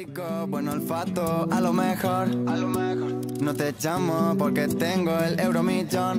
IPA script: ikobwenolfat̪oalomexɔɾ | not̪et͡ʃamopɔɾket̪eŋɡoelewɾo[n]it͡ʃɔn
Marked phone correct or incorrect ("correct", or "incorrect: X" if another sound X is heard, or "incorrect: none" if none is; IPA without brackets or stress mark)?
incorrect: m